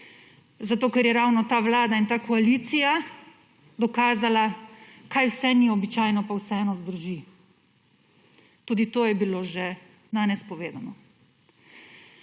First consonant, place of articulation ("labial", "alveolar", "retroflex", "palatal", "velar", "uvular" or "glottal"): alveolar